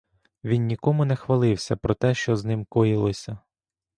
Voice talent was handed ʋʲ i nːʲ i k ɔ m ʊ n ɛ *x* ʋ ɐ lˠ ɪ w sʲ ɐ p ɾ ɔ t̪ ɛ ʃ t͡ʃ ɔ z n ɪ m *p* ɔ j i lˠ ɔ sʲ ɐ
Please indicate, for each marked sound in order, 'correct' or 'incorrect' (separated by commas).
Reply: correct, incorrect